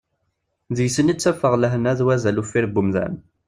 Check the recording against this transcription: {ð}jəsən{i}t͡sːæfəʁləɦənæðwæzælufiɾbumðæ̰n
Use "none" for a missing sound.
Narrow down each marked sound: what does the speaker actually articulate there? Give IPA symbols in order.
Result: ð, i

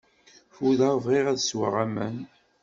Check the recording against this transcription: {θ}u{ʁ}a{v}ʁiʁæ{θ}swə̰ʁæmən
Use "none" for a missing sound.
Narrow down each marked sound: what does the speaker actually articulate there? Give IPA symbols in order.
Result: f, ð, v, ð

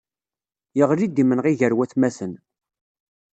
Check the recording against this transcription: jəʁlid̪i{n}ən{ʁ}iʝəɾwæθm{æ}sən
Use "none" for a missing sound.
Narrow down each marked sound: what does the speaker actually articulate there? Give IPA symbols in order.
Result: m, ʁ, æ

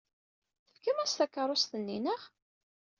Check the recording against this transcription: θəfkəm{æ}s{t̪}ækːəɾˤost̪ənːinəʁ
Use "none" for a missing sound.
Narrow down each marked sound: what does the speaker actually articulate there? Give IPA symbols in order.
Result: æ, t̪

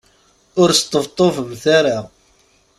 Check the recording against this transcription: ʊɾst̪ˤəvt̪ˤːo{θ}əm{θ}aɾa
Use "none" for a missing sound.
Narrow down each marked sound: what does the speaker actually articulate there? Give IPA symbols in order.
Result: f, θ

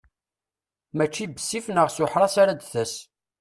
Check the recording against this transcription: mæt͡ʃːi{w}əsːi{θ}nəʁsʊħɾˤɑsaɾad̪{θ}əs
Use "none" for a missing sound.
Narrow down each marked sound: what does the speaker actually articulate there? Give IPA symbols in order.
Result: b, f, θ

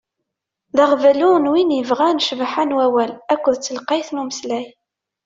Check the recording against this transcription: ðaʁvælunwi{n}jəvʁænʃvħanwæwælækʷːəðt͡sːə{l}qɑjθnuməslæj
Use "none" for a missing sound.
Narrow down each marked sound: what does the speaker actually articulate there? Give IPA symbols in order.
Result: n, l

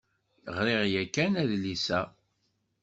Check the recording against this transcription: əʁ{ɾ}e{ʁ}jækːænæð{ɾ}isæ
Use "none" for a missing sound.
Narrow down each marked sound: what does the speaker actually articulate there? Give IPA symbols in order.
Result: ɾ, ʁ, l

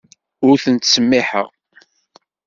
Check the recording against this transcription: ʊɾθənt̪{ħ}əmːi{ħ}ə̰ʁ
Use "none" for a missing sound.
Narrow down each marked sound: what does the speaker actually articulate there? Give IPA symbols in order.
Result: s, ħ

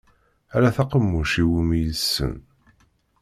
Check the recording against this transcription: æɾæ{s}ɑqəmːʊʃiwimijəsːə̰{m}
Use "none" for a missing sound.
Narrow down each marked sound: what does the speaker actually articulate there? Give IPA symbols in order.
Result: θ, n

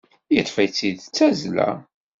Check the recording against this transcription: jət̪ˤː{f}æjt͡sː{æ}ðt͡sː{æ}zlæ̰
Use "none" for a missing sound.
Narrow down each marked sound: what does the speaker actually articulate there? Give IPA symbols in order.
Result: f, i, æ

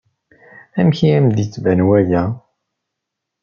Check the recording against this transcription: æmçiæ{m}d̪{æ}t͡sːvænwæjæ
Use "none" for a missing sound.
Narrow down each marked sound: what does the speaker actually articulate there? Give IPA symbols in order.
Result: m, i

